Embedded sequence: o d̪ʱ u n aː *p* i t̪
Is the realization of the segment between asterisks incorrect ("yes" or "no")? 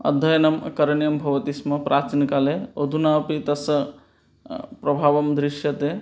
no